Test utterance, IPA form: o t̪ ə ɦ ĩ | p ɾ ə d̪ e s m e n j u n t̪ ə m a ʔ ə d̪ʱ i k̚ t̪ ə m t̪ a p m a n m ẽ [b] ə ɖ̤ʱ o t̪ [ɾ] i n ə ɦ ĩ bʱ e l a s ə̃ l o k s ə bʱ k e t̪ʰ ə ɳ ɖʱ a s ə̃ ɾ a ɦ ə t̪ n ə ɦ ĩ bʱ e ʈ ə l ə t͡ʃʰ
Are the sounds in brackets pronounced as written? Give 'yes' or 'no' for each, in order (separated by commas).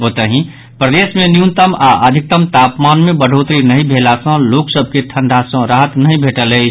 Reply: yes, yes